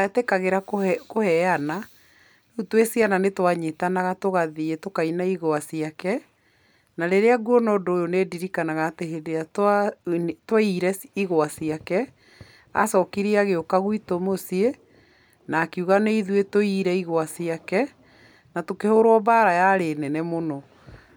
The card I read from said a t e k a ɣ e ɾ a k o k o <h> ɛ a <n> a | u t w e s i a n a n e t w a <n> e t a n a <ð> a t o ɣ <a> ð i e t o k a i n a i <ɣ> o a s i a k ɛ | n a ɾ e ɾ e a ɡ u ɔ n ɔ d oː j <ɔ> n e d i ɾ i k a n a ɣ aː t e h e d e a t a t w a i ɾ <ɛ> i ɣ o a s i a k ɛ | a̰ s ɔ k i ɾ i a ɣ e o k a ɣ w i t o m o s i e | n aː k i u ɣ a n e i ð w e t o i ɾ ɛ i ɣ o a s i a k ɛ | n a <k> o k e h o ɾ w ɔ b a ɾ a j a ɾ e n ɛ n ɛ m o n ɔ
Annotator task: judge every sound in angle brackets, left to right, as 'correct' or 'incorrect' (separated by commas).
correct, correct, incorrect, incorrect, correct, correct, incorrect, correct, incorrect